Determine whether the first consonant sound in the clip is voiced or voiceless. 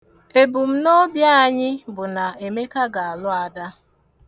voiced